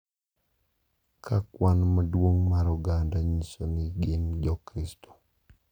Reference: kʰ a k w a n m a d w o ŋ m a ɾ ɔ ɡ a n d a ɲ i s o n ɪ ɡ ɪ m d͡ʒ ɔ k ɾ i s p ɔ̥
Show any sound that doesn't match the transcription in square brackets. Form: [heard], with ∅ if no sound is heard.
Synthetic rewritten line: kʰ a k w a n m a d w o ŋ m a ɾ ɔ ɡ a n d a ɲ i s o n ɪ ɡ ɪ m d͡ʒ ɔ k ɾ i s [t] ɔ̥

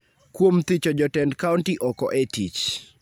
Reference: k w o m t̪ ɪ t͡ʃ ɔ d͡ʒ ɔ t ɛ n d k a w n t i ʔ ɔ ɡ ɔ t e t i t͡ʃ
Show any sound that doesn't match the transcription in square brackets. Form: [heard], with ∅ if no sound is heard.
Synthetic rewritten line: k w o m t̪ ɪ t͡ʃ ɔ d͡ʒ ɔ t ɛ n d k a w n t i ʔ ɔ [k] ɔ [ʔ] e t i t͡ʃ

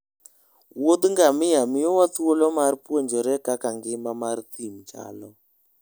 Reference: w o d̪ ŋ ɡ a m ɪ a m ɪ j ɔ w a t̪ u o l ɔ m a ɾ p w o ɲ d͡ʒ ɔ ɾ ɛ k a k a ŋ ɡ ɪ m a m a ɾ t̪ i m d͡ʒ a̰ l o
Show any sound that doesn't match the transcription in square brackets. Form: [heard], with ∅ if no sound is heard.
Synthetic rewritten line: w o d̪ ŋ ɡ a m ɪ a m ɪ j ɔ w a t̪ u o l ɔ m a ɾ p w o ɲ d͡ʒ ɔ ɾ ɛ k a k a ŋ ɡ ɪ m a m a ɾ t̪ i m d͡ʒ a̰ l [ɔ]

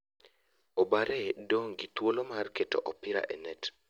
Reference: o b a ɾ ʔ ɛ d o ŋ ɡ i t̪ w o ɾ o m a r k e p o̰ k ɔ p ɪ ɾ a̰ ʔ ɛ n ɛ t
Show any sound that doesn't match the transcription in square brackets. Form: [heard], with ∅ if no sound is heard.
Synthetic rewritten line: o b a ɾ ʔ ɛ d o ŋ ɡ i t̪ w o [l] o m a r k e [t] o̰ [ʔ] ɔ p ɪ ɾ a̰ ʔ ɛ n ɛ t

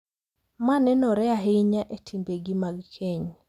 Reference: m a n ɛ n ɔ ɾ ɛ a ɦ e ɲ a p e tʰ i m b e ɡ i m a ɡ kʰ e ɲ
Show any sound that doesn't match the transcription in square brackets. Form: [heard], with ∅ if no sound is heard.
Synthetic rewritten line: m a n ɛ n ɔ ɾ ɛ a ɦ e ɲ a [ʔ] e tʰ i m b e ɡ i m a ɡ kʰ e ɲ

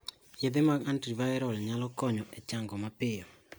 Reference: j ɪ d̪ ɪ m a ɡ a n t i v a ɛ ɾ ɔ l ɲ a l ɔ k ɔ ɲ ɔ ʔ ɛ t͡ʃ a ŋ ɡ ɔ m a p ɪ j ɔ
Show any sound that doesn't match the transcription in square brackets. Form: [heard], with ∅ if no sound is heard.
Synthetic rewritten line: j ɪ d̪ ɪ m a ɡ a n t i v a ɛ ɾ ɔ l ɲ a l ɔ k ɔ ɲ ɔ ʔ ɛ t͡ʃ a ŋ ɡ ɔ m a p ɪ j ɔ

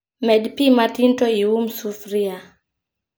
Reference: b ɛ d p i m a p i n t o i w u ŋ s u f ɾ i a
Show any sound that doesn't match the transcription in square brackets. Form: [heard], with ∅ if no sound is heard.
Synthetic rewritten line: [m] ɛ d p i m a [t] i n t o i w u [m] s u f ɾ i a

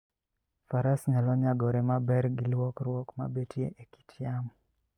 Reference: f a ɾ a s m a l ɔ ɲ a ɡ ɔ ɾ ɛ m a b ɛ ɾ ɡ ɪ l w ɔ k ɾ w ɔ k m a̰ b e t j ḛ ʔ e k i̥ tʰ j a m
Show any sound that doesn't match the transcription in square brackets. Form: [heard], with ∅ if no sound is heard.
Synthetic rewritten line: f a ɾ a s [ɲ] a l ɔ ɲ a ɡ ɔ ɾ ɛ m a b ɛ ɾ ɡ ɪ l w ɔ k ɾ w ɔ k m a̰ b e t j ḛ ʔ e k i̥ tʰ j a m

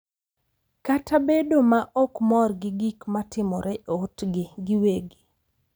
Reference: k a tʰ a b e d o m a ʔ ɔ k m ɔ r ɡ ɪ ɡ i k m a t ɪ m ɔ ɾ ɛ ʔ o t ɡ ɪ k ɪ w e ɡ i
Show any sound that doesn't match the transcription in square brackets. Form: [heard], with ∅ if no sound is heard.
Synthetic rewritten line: k a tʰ a b e d o m a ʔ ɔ k m ɔ r ɡ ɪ ɡ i k m a t ɪ m ɔ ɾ ɛ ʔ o t ɡ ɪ [ɡ] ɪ w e ɡ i

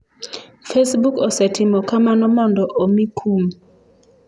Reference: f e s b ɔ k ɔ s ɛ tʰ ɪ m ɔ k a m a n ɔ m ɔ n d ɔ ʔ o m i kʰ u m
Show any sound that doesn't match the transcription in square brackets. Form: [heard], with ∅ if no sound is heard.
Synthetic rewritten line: f e s b [u] k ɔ s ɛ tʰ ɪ m ɔ k a m a n ɔ m ɔ n d ɔ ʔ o m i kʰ u m

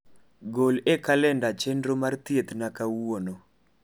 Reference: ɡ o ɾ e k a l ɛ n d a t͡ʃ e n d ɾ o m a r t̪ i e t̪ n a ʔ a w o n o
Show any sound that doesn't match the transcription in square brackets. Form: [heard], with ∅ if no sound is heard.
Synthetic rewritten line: ɡ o [l] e k a l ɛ n d a t͡ʃ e n d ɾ o m a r t̪ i e t̪ n a [k] a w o n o

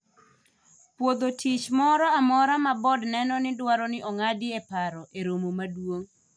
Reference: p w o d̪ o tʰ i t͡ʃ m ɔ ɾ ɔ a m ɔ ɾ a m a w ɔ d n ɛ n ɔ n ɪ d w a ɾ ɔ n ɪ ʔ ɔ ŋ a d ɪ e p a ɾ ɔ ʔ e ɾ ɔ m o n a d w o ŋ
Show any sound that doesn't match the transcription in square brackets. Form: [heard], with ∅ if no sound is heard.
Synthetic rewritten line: p w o d̪ o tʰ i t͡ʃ m ɔ ɾ ɔ a m ɔ ɾ a m a [b] ɔ d n ɛ n ɔ n ɪ d w a ɾ ɔ n ɪ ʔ ɔ ŋ a d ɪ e p a ɾ ɔ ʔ e ɾ [o] m o [m] a d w o ŋ

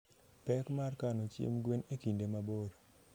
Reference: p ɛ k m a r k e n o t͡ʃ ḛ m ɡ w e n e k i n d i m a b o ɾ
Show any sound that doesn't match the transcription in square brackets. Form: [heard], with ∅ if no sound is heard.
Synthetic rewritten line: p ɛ k m a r k [a] n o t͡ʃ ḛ m ɡ w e n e k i n d [e] m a b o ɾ

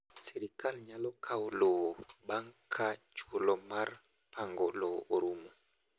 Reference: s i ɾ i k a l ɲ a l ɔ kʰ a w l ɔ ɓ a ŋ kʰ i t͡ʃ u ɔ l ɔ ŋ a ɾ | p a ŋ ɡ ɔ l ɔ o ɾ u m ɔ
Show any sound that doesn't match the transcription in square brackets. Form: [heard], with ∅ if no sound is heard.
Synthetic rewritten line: s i ɾ i k a l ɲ a l ɔ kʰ a w l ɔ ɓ a ŋ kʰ [a] t͡ʃ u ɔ l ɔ [m] a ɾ | p a ŋ ɡ ɔ l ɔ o ɾ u m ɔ

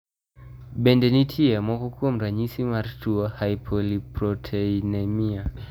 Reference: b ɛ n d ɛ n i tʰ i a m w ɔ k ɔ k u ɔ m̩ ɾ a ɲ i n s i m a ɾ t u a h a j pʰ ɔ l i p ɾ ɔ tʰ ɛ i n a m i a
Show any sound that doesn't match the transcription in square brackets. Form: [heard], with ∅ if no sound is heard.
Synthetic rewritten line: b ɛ n d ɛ n i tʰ i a m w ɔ k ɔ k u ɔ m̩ ɾ a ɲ i [∅] s i m a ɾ t u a h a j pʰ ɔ l i p ɾ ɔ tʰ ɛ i n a m i a

